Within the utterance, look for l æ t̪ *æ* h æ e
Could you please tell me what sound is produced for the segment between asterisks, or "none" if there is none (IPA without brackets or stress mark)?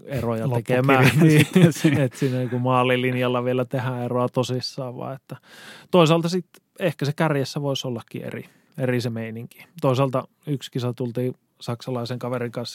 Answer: e